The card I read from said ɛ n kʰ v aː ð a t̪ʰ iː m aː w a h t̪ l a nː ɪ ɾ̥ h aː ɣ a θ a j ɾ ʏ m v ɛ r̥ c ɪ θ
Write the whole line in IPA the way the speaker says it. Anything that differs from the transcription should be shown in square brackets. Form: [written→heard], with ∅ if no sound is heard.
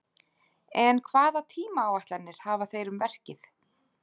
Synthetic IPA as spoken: ɛ n kʰ v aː ð a t̪ʰ iː m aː w a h t̪ l a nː ɪ ɾ̥ h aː [ɣ→v] a θ [a→e] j ɾ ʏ m v ɛ r̥ c ɪ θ